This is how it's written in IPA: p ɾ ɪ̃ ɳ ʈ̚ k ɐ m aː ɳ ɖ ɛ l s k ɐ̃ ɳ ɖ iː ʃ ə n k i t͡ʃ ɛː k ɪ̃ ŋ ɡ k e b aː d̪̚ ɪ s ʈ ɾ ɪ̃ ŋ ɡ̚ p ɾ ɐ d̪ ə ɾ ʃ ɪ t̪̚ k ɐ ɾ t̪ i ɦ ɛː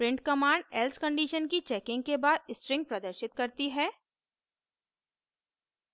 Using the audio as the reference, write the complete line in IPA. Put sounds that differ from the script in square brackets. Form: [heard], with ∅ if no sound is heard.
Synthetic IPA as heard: p ɾ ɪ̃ ɳ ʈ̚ k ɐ m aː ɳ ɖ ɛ l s k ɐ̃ ɳ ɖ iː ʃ ə n k i t͡ʃ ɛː k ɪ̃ ŋ ɡ k e b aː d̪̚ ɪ s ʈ ɾ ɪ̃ ŋ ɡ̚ p ɾ ɐ d̪ ə ɾ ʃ ɪ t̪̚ k ɐ ɾ t̪ i ɦ ɛː